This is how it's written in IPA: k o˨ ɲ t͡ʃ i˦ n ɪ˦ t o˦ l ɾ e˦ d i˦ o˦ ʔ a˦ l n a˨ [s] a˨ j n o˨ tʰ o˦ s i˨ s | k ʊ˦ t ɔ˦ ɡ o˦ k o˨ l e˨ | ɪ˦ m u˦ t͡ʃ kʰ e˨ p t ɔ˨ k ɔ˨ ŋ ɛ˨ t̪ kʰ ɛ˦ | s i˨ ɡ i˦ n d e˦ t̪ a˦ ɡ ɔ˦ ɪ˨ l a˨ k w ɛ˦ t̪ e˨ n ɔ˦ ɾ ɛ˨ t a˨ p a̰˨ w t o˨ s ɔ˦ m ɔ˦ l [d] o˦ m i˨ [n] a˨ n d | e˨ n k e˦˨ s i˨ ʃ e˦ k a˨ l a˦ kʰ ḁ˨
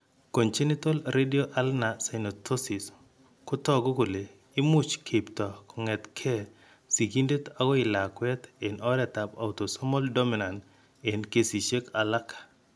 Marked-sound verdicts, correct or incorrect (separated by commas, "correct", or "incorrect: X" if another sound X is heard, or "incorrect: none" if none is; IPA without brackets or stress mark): correct, correct, correct